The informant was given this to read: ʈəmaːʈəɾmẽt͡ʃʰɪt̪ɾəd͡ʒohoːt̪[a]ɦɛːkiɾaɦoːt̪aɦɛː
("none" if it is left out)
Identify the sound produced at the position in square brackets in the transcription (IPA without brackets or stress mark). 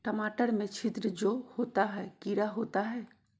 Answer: a